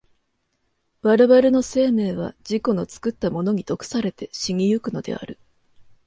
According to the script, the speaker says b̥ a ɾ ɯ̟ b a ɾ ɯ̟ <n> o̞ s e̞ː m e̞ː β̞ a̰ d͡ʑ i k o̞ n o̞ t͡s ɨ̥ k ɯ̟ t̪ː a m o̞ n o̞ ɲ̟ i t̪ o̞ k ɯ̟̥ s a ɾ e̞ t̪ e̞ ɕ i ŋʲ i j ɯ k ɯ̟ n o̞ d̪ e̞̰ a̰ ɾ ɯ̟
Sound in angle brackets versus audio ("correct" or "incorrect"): correct